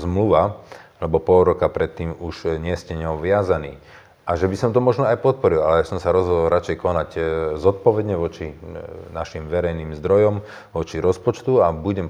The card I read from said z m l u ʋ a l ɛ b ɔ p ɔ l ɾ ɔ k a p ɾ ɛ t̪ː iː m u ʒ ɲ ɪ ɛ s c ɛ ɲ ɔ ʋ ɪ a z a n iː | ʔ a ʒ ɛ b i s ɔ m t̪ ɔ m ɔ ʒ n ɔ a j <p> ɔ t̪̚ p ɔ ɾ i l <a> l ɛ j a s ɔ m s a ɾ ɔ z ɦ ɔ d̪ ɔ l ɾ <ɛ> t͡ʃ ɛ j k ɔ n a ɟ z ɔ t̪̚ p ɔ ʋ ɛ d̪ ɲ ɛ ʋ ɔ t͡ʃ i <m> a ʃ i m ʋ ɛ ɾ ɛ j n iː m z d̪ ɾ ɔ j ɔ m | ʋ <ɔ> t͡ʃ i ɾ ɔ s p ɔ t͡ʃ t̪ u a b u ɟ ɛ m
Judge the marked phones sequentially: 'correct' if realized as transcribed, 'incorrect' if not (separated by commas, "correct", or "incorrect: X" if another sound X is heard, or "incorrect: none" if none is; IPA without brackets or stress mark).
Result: correct, correct, incorrect: a, incorrect: n, correct